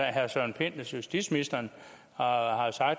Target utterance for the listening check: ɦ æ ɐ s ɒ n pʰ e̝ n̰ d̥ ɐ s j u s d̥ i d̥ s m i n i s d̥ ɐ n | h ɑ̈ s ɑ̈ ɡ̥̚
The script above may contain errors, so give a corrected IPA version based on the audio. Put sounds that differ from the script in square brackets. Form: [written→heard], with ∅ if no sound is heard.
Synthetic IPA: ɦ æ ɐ s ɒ n pʰ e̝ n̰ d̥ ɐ s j u s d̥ i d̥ s m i n i s d̥ ɐ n | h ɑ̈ s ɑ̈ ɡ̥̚

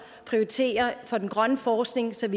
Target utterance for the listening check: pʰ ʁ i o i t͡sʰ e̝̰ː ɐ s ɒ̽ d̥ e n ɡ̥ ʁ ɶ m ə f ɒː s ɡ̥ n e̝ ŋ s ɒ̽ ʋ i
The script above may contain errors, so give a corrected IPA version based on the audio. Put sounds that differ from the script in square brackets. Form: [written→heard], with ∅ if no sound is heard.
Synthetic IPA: pʰ ʁ i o i t͡sʰ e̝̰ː ɐ [s→f] ɒ̽ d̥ e n ɡ̥ ʁ ɶ [m→n] ə f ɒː s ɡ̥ n e̝ ŋ s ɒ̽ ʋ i

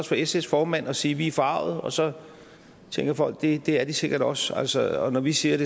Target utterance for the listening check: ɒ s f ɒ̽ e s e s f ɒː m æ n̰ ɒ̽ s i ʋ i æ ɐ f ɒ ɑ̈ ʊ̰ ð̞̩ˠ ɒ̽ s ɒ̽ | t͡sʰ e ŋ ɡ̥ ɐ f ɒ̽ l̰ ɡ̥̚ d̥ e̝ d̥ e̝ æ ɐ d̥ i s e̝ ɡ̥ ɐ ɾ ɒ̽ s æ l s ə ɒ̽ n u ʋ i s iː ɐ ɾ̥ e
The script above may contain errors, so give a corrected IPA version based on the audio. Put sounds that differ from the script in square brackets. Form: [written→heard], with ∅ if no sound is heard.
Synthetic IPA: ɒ s f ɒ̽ e s e s f ɒː m æ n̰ ɒ̽ s [i→iː] ʋ i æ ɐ f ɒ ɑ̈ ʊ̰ ð̞̩ˠ ɒ̽ s ɒ̽ | t͡sʰ e ŋ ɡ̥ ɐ f ɒ̽ l̰ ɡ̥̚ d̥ e̝ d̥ e̝ æ ɐ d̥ i s e̝ ɡ̥ ɐ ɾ ɒ̽ s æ l s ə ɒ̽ n [u→ɒ] ʋ i s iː ɐ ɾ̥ e

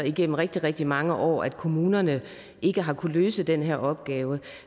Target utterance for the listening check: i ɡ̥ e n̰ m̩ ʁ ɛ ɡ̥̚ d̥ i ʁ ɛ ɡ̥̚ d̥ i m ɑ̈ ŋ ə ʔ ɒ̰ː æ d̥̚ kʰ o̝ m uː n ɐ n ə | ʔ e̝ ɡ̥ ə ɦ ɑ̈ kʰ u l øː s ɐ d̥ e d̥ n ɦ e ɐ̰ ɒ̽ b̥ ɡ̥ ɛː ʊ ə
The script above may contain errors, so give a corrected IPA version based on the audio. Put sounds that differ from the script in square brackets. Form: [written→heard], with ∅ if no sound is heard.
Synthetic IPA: i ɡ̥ e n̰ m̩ ʁ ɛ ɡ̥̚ d̥ i ʁ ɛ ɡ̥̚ d̥ i m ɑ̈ ŋ ə ʔ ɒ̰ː æ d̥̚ kʰ o̝ m uː n ɐ n ə | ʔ e̝ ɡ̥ ə ɦ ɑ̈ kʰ u l øː s [ɐ→ə] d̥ e [d̥→∅] n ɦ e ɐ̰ ɒ̽ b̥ ɡ̥ ɛː ʊ ə

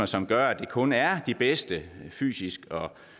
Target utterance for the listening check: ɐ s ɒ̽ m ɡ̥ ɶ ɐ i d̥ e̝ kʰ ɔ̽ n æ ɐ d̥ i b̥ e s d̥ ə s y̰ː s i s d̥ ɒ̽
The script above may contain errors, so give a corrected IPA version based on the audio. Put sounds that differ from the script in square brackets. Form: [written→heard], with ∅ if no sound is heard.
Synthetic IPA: ɐ s ɒ̽ m ɡ̥ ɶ ɐ [i→æ] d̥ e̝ kʰ ɔ̽ n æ ɐ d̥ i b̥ e s d̥ ə [s→f] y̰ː s i s [d̥→ɡ̥] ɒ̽

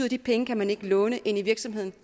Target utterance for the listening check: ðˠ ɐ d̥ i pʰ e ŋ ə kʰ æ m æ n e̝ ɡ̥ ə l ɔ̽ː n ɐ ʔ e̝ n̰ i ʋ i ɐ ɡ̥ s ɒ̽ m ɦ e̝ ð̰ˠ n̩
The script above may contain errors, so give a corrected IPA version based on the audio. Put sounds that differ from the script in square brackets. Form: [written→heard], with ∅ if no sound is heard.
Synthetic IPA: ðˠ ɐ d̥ i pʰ e ŋ ə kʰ æ m æ n e̝ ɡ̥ ə l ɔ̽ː n [ɐ→ə] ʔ e̝ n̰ i ʋ i ɐ ɡ̥ s ɒ̽ m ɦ e̝ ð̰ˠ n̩

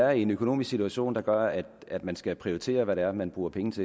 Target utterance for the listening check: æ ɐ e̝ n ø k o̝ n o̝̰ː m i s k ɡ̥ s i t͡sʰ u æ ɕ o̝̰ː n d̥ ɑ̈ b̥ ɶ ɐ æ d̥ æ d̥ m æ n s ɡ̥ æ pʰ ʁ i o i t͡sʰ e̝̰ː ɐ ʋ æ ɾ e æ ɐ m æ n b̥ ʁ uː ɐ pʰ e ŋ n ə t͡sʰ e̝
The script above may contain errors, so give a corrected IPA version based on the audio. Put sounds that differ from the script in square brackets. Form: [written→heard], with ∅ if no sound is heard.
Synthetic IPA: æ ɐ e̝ n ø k o̝ n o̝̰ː m i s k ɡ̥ s i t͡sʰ u æ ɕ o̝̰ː n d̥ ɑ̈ [b̥→ɡ̥] ɶ ɐ æ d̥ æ d̥ m æ n s ɡ̥ æ pʰ ʁ i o i t͡sʰ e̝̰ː ɐ ʋ æ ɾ e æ ɐ m æ n b̥ ʁ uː ɐ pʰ e ŋ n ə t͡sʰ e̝

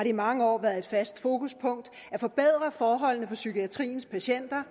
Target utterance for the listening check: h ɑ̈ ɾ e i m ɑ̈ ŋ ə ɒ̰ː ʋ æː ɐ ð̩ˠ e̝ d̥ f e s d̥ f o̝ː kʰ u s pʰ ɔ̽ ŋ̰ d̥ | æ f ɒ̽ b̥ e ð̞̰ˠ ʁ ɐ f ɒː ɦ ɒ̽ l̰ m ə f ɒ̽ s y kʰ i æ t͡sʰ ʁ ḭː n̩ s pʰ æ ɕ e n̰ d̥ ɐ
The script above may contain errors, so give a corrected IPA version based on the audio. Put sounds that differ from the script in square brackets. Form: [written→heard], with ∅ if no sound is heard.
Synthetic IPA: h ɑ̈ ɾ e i m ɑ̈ ŋ ə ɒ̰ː ʋ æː ɐ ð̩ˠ e̝ d̥ f [e→æ] s d̥ f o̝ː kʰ u s pʰ ɔ̽ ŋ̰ d̥ | æ f ɒ̽ b̥ e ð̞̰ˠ ʁ ɐ f ɒː ɦ ɒ̽ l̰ [m→n] ə f ɒ̽ s y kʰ i æ t͡sʰ ʁ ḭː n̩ s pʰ æ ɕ e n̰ d̥ ɐ

